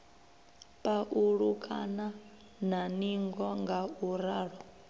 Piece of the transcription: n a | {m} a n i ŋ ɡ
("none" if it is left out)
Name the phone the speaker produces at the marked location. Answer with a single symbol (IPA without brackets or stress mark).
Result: n